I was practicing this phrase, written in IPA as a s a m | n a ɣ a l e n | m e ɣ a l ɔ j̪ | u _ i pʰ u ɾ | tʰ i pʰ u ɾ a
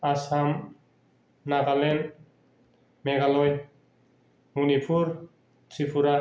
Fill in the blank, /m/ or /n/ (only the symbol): n